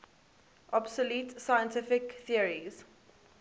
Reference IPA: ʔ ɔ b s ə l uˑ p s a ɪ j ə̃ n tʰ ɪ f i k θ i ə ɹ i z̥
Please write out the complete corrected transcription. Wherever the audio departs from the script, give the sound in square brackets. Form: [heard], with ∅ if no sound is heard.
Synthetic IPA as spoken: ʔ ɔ b s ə l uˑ [t] s a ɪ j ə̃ n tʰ ɪ f [ɪ] k θ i ə ɹ i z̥